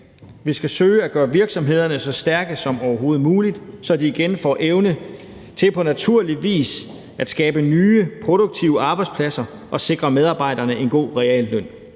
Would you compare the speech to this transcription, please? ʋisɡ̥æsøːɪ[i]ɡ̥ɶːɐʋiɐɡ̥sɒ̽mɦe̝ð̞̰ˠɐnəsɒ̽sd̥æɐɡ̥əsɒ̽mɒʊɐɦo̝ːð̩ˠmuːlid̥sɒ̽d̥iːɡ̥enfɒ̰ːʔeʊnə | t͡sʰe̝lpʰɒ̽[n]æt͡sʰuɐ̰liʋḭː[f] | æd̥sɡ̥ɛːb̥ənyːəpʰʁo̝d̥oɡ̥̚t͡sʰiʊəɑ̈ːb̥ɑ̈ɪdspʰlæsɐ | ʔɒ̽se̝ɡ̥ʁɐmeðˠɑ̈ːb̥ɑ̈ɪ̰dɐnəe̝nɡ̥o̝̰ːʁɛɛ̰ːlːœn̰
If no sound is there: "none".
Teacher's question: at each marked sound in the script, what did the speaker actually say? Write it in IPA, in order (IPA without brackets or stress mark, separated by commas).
æ, n, s